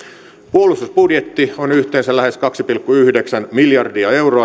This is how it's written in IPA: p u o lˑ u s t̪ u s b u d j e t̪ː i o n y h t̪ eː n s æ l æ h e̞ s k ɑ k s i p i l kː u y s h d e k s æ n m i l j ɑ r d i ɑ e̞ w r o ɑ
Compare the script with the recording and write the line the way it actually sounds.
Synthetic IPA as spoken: p u o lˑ u s t̪ u s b u d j e t̪ː i o n y h t̪ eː n s æ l æ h e̞ s k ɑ k s i p i l kː u y h d e k s æ n m i l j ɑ r d i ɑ e̞ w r o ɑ